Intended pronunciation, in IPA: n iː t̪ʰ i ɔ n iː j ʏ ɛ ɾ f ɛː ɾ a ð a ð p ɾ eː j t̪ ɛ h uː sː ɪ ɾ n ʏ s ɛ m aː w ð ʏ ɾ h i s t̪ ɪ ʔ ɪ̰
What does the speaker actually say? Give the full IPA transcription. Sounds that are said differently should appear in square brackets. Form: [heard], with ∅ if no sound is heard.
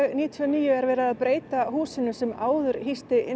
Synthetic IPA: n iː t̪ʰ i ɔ n iː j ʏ ɛ ɾ [v] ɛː ɾ a ð a ð p ɾ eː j t̪ [a] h uː [s] ɪ [∅] n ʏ s ɛ m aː w ð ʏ ɾ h i s t̪ ɪ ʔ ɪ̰